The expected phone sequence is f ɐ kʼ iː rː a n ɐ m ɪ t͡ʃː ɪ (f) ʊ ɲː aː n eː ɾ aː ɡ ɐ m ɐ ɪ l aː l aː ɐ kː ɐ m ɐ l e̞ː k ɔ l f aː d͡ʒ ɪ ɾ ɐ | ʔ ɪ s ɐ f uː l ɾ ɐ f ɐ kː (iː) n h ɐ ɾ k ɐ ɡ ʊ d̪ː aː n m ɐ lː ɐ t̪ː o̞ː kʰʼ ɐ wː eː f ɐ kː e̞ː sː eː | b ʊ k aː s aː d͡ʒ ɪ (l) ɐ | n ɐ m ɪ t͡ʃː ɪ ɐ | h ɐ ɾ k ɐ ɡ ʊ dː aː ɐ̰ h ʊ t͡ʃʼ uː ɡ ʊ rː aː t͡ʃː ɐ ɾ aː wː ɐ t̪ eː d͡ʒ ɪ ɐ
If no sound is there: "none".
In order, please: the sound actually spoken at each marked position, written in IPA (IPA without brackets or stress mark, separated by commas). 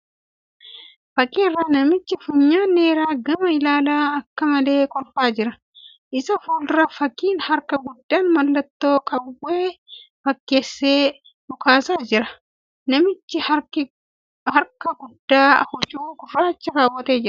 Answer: f, iː, ɾ